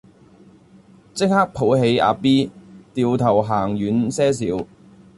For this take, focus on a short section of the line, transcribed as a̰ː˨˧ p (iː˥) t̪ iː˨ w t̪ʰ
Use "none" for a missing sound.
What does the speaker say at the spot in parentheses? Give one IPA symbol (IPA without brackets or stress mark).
iː˥